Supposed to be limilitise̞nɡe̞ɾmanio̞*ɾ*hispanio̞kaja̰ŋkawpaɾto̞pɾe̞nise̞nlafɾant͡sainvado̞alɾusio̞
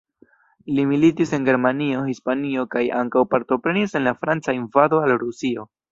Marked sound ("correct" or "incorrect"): incorrect